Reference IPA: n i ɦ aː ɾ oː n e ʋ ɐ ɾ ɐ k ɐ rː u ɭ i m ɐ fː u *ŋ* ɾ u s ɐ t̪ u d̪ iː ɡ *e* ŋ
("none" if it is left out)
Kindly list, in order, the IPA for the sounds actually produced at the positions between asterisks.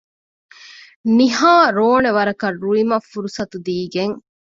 none, e

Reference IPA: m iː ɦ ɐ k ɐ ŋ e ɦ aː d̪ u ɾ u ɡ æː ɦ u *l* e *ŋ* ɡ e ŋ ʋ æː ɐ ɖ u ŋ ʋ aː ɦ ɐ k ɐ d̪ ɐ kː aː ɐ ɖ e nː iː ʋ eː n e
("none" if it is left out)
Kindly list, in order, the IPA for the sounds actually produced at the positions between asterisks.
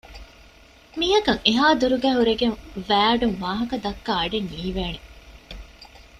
ɾ, none

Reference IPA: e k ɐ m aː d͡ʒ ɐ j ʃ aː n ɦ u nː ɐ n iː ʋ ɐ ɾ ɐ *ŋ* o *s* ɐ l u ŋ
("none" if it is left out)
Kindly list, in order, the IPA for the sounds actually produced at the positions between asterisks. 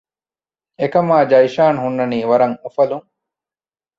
ŋ, f

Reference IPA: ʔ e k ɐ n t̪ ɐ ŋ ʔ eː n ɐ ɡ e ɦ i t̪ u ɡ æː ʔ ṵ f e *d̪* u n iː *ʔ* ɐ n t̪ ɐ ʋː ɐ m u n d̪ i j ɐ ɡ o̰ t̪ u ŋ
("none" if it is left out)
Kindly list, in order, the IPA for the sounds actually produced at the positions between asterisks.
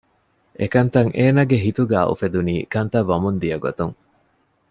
d̪, k

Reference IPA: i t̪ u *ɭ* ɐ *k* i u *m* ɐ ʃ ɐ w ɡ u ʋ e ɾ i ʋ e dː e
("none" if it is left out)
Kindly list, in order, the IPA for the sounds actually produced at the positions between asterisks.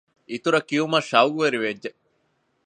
ɾ, k, m

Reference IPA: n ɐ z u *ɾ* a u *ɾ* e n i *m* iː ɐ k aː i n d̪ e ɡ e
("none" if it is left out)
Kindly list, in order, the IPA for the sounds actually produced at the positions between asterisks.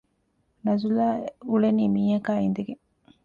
l, l, m

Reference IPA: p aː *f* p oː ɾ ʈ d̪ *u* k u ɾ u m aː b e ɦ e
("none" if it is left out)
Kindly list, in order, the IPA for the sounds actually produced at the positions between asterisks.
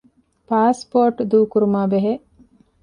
s, uː

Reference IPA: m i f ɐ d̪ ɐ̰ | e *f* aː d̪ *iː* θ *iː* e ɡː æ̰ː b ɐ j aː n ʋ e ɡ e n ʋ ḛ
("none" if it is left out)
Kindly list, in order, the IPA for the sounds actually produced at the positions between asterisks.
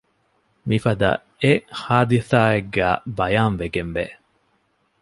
h, i, aː

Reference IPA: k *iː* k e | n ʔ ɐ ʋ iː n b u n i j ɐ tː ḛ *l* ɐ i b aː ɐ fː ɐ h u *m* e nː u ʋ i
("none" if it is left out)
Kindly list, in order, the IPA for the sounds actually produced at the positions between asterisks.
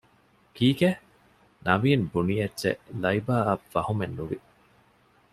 iː, l, m

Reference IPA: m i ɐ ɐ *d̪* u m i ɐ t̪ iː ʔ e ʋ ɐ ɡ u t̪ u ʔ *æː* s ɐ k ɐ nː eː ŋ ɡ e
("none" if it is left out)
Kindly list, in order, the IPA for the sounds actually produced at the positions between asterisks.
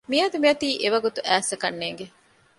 d̪, æː

